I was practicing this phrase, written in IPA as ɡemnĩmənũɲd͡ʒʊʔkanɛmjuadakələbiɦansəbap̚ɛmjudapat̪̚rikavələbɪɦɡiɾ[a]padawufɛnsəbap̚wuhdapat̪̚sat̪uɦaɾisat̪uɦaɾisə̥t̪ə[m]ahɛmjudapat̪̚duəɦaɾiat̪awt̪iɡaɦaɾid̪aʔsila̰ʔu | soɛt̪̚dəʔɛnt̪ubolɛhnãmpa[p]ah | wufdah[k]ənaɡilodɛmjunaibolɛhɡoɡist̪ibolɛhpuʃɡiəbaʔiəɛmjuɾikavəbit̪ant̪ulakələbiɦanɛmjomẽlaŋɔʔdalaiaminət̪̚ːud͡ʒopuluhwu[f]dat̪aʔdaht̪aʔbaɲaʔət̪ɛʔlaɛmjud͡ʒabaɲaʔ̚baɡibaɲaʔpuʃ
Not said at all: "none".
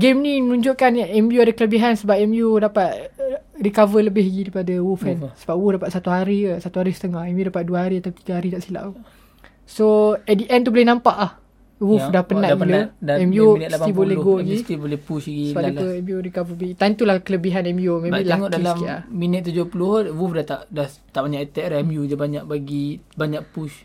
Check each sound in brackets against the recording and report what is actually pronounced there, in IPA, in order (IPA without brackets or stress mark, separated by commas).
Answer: i, ŋ, ʔ, p, f